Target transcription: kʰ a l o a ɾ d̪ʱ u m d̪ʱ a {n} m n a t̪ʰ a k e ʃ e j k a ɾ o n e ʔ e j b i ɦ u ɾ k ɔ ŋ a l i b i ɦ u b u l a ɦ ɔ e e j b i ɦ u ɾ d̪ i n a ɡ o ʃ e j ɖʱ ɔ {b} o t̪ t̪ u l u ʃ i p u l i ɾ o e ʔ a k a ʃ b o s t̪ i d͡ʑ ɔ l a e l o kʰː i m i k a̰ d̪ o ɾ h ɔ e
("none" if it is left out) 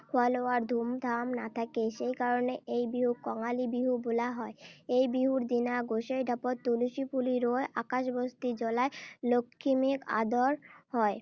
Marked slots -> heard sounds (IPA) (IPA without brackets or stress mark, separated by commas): none, p